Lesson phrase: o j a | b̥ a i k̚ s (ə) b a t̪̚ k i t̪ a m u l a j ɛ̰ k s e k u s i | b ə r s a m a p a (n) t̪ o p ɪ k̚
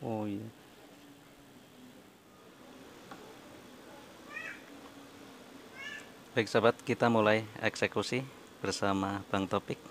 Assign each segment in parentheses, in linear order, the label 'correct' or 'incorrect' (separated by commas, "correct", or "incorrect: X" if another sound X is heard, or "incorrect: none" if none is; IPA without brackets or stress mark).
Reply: incorrect: a, incorrect: ŋ